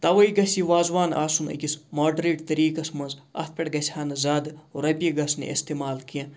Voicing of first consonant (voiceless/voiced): voiceless